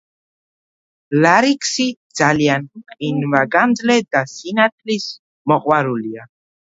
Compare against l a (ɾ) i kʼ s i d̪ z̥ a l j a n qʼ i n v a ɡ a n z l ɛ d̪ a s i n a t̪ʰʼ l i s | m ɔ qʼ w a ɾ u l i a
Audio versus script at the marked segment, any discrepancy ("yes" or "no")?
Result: no